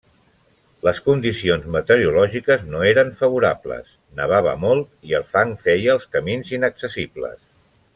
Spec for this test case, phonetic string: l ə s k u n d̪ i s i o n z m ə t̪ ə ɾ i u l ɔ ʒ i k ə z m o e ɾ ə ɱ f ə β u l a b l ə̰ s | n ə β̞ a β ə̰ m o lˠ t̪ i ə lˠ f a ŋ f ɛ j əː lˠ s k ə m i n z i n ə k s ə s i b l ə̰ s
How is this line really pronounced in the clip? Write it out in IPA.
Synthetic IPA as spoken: l ə s k u n d̪ i s i o n z m ə t̪ ə ɾ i u l ɔ ʒ i k ə z n o e ɾ ə ɱ f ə β u ɾ a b l ə̰ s | n ə β̞ a β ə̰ m o lˠ t̪ i ə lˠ f a ŋ f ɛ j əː lˠ s k ə m i n z i n ə k s ə s i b l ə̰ s